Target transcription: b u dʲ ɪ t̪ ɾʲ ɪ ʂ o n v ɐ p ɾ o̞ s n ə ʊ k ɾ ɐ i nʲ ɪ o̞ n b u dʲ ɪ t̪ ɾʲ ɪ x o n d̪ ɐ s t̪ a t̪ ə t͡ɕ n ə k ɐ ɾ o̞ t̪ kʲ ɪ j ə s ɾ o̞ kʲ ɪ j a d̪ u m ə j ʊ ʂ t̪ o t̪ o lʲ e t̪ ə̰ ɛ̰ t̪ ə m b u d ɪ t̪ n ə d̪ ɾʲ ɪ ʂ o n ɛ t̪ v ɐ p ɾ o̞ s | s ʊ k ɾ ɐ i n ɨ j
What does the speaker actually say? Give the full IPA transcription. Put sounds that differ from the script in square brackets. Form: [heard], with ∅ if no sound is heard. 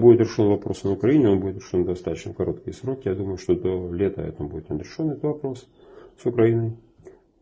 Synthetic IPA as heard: b u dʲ ɪ t̪ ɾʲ ɪ ʂ o n v ɐ p ɾ o̞ s n ə ʊ k ɾ ɐ i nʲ ɪ o̞ n b u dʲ ɪ t̪ ɾʲ ɪ [ʂ] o n d̪ ɐ s t̪ a t̪ ə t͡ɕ n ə k ɐ ɾ o̞ t̪ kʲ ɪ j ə s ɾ o̞ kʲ ɪ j a d̪ u m ə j ʊ ʂ t̪ o [d̪] o lʲ e t̪ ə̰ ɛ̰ t̪ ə m b u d ɪ t̪ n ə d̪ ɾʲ ɪ ʂ o n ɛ t̪ v ɐ p ɾ o̞ s | s ʊ k ɾ ɐ i n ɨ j